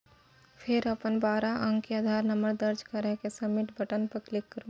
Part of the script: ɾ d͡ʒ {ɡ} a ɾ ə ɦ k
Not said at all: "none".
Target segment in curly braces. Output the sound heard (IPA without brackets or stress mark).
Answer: k